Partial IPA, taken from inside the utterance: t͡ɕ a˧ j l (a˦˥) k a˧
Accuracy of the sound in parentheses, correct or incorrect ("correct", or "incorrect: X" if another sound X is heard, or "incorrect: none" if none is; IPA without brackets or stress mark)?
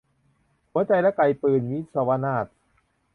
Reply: incorrect: ɛ˦˥